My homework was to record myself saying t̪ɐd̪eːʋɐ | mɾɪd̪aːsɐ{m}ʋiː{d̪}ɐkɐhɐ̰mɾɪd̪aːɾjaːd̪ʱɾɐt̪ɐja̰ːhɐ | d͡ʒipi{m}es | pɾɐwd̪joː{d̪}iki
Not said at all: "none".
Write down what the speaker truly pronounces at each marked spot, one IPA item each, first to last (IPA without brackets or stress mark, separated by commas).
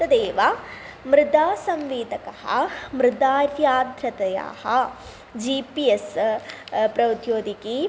m, d̪, none, d̪